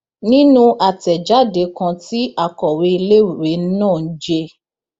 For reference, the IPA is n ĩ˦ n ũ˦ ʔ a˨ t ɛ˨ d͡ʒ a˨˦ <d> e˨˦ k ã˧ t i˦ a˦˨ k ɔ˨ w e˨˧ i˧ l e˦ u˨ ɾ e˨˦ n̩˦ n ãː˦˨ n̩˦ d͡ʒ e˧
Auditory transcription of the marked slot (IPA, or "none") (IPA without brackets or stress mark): d